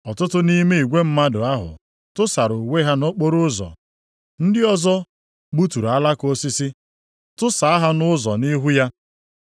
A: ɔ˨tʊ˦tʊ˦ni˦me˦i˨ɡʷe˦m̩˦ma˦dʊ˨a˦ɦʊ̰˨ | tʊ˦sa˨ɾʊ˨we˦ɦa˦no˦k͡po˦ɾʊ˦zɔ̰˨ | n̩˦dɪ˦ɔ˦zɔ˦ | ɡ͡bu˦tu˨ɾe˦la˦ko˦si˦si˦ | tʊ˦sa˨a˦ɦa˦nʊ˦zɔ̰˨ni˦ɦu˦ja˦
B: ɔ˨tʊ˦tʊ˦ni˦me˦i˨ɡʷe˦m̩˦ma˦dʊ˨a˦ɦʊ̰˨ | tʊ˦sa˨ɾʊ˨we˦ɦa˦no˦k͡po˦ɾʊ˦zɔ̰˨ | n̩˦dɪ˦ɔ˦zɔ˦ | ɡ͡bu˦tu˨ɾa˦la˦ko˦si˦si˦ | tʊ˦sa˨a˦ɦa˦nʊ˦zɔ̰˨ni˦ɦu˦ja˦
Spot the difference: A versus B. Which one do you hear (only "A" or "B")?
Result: B